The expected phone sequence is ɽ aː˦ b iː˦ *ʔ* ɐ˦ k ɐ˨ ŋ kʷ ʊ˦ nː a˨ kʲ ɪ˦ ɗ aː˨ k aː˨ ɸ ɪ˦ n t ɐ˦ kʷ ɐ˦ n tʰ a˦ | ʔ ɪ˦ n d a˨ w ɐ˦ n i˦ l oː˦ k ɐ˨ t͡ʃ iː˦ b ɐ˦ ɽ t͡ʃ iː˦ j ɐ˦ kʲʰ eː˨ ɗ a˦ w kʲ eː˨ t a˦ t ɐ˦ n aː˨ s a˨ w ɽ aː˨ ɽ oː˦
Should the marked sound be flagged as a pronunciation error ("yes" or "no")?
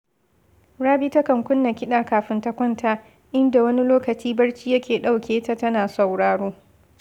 yes